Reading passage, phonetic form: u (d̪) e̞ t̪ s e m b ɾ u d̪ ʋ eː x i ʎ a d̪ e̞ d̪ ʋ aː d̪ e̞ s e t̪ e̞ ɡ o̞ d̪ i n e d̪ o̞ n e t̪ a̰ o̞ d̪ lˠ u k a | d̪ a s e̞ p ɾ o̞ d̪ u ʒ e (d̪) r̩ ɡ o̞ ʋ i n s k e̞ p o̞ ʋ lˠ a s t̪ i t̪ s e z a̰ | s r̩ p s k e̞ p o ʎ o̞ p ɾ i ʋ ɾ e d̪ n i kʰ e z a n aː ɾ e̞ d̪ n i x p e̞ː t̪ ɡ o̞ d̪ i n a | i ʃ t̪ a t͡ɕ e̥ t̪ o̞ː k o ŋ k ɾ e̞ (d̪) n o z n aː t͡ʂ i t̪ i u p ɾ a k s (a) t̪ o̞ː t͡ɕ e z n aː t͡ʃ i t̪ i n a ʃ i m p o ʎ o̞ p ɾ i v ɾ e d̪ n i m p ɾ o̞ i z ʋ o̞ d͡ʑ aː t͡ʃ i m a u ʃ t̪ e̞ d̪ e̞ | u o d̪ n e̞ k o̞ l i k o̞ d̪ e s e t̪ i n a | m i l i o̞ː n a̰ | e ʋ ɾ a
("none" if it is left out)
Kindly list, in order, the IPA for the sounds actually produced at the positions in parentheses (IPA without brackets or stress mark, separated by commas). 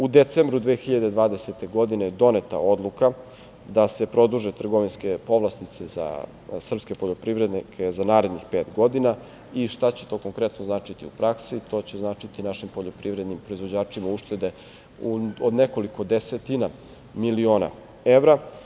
d̪, t̪, t̪, i